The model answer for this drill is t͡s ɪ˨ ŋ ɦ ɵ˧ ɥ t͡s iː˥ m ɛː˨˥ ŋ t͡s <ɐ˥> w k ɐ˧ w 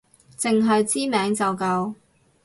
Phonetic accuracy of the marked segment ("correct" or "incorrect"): incorrect